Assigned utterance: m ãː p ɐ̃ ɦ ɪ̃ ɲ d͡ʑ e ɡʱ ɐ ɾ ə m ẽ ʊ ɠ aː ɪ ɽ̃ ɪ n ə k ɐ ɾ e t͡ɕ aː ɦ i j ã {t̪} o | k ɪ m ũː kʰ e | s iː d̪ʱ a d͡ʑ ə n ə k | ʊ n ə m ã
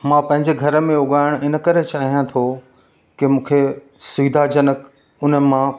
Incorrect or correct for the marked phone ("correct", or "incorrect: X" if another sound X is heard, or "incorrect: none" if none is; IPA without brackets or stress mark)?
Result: incorrect: t̪ʰ